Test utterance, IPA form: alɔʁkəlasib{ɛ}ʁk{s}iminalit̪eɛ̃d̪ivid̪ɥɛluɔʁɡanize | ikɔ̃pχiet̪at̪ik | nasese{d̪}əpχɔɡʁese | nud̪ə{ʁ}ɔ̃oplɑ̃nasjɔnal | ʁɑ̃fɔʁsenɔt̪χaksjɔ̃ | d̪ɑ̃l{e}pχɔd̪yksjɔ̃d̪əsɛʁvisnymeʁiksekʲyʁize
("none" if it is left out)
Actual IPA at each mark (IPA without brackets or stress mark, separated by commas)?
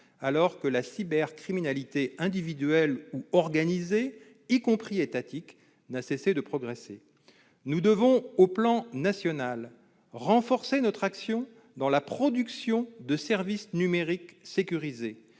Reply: ɛ, χ, d̪, v, a